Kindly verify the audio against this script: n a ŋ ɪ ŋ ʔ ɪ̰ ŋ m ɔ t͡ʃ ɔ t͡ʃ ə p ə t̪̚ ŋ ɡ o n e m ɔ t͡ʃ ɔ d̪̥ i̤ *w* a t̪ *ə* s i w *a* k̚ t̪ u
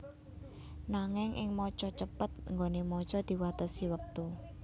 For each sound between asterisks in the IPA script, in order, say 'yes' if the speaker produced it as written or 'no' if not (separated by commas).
yes, yes, no